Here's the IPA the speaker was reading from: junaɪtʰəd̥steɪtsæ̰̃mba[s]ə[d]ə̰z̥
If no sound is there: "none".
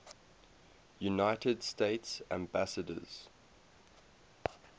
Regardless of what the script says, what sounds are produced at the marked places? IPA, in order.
s, d

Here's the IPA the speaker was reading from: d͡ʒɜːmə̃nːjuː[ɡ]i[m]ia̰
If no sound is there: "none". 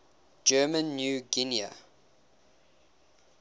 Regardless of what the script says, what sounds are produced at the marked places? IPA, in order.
ɡ, n

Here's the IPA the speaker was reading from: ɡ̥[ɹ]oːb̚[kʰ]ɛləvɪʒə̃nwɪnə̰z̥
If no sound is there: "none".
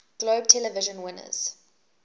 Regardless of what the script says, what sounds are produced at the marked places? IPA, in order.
l, tʰ

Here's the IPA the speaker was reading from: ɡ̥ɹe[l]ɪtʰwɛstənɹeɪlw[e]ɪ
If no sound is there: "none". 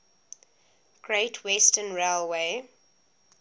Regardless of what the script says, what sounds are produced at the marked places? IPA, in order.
none, e

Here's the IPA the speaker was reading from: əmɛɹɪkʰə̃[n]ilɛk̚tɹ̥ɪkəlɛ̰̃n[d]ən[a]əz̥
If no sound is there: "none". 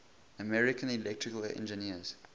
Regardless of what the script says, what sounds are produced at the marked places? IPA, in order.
n, d͡ʒ, i

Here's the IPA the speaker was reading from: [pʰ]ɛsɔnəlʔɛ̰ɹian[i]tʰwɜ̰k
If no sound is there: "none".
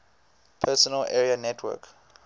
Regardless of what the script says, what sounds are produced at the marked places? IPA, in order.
pʰ, ɛ

